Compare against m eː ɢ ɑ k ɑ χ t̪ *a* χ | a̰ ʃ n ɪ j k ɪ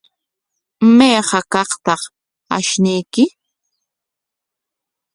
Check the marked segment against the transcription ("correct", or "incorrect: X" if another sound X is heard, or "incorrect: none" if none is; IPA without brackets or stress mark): incorrect: ɑ